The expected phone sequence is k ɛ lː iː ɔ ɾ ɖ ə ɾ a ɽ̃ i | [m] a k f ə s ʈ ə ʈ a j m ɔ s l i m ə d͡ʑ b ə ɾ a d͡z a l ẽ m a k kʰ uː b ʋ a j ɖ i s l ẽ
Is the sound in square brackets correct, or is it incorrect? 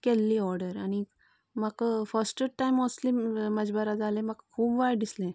correct